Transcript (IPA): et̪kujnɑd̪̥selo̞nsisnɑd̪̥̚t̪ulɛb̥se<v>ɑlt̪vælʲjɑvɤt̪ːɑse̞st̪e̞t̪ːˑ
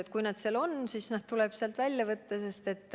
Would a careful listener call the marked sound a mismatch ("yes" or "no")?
yes